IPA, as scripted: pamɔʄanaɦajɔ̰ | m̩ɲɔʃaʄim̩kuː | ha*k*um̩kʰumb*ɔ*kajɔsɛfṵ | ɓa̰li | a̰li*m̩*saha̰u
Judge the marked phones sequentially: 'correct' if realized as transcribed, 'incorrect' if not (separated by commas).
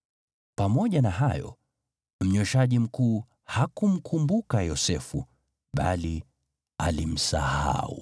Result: correct, incorrect, correct